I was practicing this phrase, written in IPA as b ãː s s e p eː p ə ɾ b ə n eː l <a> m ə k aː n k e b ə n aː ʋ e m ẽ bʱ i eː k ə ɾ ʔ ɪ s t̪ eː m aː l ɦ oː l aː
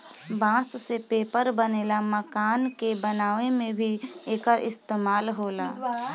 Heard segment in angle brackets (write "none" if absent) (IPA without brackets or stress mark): a